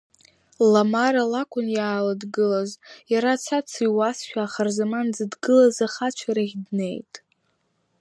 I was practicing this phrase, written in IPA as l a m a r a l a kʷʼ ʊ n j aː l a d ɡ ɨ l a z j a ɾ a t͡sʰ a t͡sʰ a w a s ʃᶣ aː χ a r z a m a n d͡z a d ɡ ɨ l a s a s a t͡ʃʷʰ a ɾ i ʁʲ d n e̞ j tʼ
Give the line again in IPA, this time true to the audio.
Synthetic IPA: l a m a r a l a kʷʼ ʊ n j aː l a d ɡ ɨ l a z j a ɾ a t͡sʰ a t͡sʰ i w a s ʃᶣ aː χ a r z a m a n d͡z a d ɡ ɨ l a z a χ a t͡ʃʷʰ a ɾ a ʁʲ d n e̞ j tʼ